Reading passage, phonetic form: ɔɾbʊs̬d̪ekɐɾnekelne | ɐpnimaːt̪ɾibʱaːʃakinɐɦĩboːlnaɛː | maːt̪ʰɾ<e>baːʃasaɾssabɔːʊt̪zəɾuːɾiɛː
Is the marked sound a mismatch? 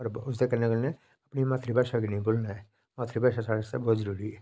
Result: yes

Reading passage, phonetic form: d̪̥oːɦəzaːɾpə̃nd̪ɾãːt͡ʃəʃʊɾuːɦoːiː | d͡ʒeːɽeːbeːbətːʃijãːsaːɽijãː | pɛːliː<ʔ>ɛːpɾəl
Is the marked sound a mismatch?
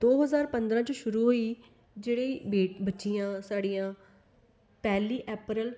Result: no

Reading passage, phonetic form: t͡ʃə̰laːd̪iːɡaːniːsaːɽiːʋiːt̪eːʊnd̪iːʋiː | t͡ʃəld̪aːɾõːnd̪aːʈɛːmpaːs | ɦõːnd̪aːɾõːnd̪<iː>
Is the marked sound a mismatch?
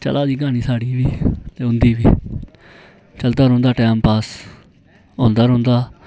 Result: yes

